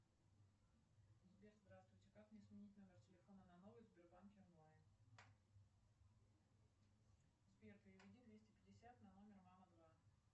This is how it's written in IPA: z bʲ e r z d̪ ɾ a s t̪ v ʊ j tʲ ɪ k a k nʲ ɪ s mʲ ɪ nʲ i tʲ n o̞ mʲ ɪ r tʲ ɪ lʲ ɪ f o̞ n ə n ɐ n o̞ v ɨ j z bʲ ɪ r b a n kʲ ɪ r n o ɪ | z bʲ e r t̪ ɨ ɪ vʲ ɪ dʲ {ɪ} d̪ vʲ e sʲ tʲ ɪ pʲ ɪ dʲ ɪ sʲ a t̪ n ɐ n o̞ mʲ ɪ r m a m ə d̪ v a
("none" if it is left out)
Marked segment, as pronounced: i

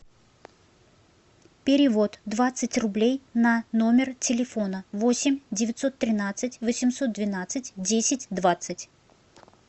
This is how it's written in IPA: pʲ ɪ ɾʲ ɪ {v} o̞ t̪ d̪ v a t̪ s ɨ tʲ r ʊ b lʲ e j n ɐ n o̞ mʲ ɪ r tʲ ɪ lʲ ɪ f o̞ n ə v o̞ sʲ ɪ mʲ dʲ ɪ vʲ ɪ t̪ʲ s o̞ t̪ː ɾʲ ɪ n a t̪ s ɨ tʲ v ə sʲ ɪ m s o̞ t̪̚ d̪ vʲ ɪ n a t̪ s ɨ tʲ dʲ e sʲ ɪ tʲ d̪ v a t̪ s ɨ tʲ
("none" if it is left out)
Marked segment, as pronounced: v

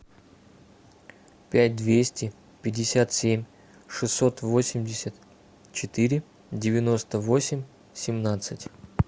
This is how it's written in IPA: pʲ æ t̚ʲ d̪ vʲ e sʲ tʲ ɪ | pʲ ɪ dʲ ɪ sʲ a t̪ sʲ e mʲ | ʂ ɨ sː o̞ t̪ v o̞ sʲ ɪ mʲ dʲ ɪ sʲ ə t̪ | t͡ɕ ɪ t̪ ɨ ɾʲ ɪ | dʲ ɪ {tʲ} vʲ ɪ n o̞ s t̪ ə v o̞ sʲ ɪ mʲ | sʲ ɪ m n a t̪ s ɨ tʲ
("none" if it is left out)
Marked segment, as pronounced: none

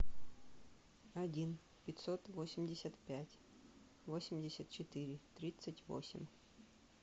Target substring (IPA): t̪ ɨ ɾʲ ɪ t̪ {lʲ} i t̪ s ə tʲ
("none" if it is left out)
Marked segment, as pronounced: ɾʲ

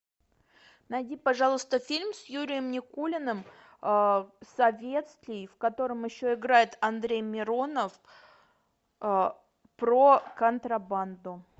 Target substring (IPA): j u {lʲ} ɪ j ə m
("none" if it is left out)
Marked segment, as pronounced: ɾʲ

